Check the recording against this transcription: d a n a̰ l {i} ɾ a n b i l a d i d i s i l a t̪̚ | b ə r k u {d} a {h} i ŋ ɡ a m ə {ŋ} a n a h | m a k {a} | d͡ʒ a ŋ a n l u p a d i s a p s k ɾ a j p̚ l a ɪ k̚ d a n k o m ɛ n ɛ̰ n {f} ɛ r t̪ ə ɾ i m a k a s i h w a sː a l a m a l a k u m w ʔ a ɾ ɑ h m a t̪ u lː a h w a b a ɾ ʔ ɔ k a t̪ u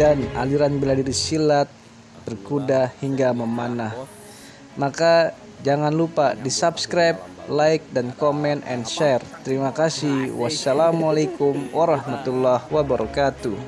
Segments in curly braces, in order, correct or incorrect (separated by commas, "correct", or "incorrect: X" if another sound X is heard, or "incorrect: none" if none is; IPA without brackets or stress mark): correct, correct, correct, incorrect: m, correct, incorrect: ʃ